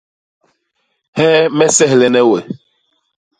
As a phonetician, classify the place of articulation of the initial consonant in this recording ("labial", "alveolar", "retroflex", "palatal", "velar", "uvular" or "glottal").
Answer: glottal